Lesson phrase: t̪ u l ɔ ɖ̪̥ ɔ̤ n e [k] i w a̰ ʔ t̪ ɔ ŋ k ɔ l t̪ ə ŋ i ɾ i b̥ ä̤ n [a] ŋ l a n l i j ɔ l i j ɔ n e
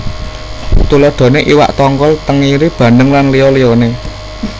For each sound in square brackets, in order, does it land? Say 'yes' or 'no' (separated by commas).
no, no